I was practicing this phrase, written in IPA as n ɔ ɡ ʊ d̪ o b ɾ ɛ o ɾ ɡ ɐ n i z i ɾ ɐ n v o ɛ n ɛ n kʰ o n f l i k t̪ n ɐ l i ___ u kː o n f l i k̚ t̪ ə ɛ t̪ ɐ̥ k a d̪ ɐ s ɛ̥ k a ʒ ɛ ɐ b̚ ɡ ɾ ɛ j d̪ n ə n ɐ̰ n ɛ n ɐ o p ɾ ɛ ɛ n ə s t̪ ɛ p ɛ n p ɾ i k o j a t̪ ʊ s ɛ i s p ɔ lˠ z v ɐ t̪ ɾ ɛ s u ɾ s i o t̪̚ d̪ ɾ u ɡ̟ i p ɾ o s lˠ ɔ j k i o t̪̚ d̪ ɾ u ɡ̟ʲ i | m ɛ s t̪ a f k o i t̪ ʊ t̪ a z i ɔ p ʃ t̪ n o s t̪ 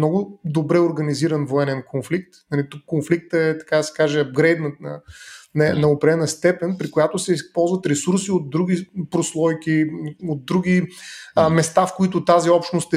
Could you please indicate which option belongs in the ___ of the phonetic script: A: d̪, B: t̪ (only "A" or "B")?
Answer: B